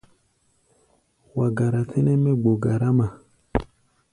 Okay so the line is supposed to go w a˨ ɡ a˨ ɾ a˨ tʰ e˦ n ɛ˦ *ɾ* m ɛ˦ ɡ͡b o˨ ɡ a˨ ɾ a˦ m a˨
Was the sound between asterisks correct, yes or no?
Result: no